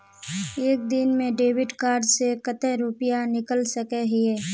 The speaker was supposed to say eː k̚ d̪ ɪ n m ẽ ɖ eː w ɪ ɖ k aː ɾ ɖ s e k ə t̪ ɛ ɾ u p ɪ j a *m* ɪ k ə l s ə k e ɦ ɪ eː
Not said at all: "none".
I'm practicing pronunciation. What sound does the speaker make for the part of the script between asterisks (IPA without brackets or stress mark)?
n